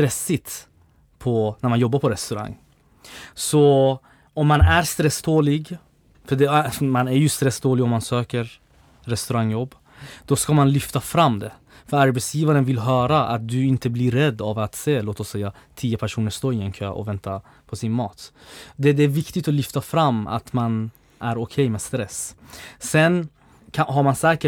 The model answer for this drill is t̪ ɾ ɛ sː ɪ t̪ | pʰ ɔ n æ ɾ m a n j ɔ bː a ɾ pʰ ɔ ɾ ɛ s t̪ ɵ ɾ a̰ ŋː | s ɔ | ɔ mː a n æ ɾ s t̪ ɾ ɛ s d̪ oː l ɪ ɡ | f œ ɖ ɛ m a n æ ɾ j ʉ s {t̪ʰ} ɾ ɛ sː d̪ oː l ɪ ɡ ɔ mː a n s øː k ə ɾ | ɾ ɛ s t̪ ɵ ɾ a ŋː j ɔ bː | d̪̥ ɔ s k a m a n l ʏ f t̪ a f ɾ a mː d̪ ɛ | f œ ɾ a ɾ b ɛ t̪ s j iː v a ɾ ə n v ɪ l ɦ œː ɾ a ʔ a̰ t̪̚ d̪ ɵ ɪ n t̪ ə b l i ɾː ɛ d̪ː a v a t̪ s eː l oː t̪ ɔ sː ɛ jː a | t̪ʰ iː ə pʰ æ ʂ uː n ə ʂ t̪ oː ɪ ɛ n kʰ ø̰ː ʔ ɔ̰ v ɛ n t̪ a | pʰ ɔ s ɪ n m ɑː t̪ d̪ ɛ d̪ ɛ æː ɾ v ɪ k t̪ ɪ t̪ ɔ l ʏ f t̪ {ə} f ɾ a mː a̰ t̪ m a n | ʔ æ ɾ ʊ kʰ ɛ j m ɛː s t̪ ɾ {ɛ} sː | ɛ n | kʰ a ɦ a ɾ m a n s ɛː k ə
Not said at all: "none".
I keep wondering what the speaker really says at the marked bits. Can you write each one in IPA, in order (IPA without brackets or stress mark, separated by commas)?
t̪, a, ɛ